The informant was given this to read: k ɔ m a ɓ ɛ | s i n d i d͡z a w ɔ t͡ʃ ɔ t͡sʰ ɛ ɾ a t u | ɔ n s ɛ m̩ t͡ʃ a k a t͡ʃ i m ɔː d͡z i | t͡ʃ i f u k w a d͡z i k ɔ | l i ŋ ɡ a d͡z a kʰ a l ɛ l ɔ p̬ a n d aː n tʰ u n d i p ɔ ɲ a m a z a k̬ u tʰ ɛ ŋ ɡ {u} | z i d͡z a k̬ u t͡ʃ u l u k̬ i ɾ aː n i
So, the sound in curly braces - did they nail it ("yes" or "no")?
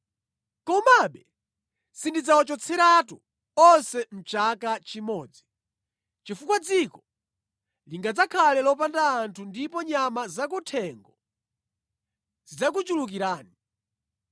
no